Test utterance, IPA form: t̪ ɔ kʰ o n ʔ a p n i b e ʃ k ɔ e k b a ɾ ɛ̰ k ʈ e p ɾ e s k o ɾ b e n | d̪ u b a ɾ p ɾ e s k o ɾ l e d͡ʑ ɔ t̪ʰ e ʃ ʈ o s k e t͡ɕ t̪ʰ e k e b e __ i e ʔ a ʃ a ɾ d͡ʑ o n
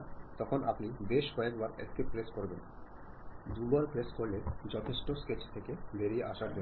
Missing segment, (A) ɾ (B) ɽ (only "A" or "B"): A